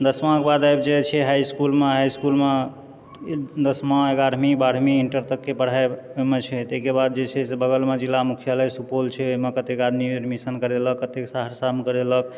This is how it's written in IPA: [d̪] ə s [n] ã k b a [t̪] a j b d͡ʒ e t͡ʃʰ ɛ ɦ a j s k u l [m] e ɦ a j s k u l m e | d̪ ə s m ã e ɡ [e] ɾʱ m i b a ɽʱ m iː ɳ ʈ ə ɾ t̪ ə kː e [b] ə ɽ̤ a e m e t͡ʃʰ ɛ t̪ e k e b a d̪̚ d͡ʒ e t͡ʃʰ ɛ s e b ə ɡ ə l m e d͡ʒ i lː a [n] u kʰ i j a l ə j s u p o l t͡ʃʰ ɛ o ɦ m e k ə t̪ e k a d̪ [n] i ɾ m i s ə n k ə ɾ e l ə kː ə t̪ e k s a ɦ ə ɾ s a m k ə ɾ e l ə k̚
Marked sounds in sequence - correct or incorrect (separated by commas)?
correct, incorrect, incorrect, correct, incorrect, incorrect, incorrect, incorrect